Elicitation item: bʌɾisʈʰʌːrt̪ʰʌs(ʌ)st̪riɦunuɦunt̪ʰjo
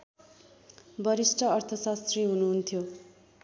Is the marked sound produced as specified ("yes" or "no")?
no